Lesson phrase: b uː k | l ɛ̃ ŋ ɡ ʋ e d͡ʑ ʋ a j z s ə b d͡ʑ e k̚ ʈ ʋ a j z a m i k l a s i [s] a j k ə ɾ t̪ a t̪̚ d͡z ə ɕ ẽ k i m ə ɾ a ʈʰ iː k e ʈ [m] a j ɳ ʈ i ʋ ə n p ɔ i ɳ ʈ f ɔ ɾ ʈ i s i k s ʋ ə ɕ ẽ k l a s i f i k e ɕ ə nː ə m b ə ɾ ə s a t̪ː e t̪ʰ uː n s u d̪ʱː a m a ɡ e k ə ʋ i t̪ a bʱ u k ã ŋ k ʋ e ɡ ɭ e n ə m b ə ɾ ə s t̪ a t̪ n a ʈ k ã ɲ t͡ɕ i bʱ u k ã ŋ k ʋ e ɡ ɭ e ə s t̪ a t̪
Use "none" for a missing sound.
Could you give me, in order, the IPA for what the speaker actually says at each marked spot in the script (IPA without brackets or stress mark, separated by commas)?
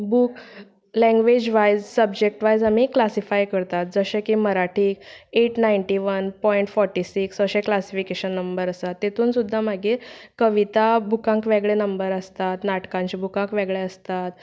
f, n